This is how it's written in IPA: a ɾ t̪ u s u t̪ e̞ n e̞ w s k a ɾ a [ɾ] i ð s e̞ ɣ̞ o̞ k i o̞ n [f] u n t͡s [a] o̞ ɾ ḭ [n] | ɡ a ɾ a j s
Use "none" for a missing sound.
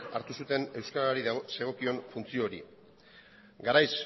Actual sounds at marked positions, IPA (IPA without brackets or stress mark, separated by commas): ɾ, f, i, none